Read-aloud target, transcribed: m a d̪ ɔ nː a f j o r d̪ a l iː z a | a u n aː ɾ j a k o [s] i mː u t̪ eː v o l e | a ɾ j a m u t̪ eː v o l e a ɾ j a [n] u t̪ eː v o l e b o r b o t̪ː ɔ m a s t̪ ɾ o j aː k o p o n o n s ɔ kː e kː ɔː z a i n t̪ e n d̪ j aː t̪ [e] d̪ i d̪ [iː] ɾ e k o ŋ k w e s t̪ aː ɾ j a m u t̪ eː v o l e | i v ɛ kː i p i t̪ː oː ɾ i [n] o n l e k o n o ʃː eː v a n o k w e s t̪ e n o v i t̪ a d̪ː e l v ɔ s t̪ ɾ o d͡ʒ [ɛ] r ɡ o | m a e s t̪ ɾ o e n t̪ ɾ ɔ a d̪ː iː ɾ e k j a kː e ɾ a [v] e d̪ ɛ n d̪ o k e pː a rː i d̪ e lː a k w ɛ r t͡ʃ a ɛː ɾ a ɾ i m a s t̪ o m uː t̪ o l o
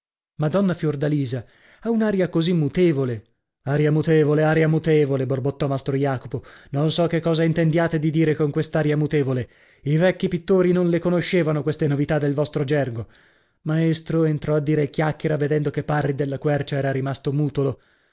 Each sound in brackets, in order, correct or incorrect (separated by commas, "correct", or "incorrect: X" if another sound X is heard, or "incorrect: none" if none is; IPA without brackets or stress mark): incorrect: z, incorrect: m, correct, correct, correct, correct, correct